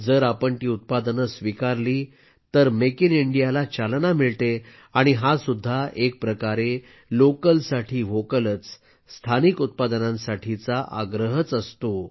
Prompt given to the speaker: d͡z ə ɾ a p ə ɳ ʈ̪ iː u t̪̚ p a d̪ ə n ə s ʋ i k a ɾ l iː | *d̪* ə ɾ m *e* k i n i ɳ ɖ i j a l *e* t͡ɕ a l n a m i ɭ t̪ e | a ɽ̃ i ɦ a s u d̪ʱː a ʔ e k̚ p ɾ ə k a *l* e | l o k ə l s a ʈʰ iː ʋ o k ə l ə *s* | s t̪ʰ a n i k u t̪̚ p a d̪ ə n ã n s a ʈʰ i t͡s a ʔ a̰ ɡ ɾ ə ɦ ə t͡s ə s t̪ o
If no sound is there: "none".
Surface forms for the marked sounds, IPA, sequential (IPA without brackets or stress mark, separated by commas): t̪, e, a, ɾ, t͡s